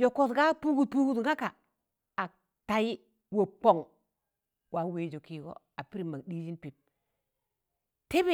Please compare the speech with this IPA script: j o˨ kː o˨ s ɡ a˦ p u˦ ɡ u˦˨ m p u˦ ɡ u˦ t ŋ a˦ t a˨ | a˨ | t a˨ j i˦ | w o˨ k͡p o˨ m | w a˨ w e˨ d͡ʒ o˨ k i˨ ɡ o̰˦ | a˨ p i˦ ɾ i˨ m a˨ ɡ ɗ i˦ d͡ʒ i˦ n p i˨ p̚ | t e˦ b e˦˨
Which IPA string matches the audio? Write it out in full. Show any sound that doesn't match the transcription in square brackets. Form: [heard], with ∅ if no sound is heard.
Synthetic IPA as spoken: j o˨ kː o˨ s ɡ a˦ p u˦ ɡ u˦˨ [∅] p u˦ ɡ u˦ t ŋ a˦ [k] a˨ | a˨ | t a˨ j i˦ | w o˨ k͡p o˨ [ŋ] | w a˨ w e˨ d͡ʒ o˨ k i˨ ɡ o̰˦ | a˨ p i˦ ɾ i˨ m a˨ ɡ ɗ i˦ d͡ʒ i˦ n p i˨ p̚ | t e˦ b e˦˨